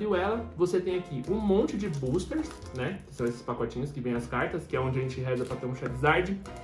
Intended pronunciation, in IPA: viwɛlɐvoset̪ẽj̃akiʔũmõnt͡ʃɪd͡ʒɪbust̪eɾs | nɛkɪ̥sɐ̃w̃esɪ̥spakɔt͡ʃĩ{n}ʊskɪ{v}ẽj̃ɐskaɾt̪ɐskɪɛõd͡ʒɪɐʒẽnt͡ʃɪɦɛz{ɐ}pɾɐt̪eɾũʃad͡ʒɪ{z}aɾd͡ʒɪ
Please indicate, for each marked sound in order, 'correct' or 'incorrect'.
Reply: incorrect: ɲ, correct, correct, correct

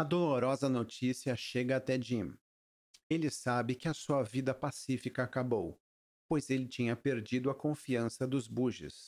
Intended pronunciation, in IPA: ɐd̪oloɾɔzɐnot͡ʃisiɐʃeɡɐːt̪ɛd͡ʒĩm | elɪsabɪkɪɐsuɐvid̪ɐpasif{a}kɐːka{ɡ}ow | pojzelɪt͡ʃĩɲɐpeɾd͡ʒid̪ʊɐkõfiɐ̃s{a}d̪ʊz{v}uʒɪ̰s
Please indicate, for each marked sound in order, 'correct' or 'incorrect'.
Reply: incorrect: i, incorrect: b, incorrect: ɐ, incorrect: b

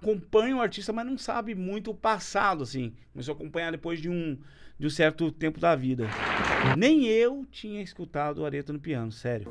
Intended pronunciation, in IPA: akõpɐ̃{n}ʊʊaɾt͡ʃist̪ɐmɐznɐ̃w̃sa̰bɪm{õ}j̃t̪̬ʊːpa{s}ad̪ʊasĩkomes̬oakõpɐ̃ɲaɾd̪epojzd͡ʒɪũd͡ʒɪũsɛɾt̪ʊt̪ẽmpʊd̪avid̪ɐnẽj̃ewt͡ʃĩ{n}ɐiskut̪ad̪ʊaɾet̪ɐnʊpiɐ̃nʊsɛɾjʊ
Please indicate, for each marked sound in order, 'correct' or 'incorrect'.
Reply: incorrect: ɲ, incorrect: ũ, correct, incorrect: ɲ

